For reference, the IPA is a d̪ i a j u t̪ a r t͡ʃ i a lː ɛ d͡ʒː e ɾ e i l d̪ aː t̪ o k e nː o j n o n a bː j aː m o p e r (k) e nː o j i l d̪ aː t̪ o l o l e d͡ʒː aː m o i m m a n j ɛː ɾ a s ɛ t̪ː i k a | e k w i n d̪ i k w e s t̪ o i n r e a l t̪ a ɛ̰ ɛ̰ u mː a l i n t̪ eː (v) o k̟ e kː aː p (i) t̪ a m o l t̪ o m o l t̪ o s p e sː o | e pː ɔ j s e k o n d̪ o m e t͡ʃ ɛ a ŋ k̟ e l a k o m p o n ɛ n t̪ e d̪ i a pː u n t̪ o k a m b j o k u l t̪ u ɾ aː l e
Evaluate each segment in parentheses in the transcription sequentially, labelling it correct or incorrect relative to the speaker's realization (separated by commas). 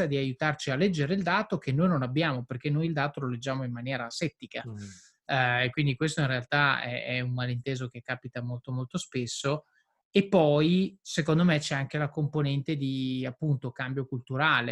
correct, incorrect, correct